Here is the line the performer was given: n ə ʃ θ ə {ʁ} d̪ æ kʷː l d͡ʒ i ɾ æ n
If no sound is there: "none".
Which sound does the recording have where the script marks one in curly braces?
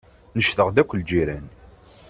ʁ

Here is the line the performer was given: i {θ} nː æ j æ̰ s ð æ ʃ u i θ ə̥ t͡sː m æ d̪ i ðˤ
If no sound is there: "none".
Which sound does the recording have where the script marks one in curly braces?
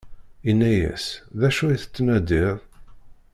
none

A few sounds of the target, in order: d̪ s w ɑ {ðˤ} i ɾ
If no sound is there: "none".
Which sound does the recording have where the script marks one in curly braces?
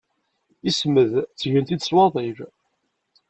ðˤ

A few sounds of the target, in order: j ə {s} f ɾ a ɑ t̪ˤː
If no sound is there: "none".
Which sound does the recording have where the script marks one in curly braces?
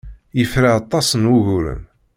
none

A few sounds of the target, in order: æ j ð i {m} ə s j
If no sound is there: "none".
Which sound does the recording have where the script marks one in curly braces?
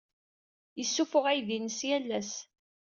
n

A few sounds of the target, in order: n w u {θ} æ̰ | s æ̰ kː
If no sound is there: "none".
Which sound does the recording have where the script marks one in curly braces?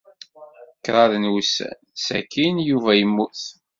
s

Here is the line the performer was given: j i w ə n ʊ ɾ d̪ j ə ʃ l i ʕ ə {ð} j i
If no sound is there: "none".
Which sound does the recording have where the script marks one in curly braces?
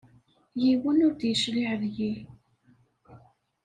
ð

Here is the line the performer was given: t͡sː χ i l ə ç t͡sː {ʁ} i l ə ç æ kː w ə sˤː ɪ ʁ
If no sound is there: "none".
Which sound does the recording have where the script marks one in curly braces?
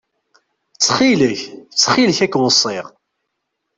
χ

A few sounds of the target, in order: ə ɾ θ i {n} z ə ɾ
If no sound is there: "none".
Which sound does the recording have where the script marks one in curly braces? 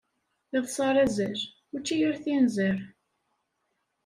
n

